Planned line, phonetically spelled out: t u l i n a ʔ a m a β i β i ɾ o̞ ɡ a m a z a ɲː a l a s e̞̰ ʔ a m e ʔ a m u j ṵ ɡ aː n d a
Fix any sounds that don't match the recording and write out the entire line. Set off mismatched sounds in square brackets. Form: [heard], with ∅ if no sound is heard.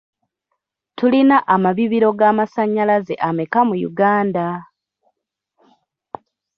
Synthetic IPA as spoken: t u l i n a ʔ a m a β i β i ɾ o̞ ɡ a m a [s] a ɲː a l a [z] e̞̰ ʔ a m e [k] a m u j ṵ ɡ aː n d a